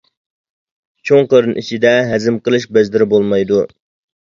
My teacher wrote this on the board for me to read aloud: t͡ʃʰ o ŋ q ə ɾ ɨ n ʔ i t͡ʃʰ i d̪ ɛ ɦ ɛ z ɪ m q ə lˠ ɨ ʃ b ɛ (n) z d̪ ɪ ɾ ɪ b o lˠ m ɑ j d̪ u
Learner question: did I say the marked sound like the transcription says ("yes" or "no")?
no